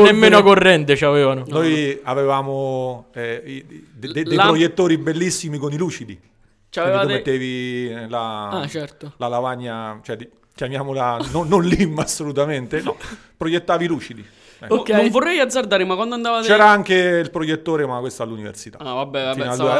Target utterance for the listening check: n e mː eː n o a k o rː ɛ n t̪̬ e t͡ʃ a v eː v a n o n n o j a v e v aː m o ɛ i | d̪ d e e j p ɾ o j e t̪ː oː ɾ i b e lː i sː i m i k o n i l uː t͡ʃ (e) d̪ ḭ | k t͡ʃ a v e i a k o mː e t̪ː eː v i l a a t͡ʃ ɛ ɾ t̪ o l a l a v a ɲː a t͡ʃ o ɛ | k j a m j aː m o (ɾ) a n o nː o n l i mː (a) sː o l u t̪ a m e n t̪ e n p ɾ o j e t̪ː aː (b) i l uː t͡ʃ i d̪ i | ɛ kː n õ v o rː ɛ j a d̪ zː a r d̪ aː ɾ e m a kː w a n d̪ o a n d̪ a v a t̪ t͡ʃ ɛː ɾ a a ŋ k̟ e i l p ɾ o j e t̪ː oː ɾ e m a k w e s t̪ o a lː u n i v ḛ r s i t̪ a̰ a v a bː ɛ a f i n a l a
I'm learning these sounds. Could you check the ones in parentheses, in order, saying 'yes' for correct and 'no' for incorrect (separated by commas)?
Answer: no, no, yes, no